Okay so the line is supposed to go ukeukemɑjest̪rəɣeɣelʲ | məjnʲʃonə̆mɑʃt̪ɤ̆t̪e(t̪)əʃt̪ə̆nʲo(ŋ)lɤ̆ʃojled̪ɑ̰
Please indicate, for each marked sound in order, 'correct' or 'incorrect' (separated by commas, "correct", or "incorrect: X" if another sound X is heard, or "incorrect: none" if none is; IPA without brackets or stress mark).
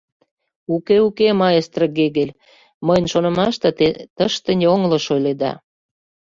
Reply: correct, correct